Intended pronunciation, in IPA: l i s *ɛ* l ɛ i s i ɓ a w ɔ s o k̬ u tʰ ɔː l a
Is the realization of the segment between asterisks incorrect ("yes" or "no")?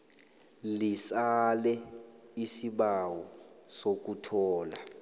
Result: yes